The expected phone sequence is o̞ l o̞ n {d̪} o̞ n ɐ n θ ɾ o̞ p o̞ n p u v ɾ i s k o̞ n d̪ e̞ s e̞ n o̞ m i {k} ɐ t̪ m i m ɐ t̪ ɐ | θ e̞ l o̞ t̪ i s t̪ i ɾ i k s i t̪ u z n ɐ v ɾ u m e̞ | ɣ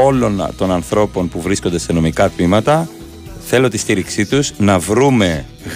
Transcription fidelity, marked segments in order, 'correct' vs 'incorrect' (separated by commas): incorrect, correct